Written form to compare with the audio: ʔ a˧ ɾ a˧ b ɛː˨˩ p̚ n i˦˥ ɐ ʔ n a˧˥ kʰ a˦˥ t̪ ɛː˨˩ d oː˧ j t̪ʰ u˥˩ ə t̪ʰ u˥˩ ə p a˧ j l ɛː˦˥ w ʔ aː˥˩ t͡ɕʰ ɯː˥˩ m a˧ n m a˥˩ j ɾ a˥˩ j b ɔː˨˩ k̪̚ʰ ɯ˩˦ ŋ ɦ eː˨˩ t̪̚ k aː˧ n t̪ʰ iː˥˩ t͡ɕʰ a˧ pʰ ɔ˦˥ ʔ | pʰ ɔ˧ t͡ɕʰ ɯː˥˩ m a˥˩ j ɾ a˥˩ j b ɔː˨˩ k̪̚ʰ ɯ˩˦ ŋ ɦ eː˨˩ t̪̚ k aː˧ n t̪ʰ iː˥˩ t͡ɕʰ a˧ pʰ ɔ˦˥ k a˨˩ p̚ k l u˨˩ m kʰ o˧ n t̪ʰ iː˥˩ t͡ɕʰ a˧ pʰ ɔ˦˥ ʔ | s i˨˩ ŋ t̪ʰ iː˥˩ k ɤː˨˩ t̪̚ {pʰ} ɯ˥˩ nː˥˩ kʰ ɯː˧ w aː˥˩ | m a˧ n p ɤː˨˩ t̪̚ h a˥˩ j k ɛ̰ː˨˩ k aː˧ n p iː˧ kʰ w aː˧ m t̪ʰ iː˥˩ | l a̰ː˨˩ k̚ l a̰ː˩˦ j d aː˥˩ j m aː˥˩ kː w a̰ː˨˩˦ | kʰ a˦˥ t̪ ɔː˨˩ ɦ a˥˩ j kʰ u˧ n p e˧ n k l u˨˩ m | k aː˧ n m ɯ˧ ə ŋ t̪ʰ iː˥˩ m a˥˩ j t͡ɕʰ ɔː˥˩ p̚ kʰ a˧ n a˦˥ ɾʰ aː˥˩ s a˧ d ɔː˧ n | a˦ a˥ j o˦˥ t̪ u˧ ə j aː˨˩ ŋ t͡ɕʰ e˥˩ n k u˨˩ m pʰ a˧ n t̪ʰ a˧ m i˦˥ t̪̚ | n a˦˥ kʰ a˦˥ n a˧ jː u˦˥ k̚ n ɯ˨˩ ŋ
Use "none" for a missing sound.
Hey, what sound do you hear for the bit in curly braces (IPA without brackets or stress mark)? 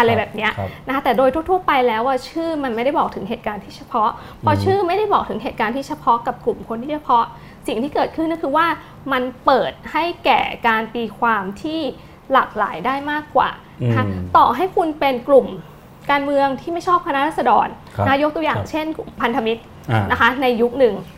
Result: kʰ